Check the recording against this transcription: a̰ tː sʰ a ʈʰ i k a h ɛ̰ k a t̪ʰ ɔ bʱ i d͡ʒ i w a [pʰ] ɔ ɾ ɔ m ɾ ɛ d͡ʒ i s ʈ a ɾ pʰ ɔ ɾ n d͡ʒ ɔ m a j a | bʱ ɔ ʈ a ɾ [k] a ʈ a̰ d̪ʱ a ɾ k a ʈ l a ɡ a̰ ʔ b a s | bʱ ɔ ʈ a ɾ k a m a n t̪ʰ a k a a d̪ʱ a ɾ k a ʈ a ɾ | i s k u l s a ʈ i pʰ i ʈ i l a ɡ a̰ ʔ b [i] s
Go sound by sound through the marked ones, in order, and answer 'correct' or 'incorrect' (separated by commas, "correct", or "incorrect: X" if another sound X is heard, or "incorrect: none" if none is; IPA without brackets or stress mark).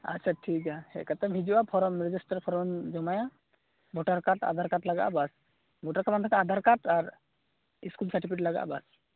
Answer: correct, correct, incorrect: a